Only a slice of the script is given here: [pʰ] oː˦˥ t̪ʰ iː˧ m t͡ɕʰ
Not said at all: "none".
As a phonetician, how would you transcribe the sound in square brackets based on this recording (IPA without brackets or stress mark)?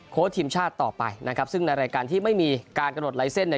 kʰ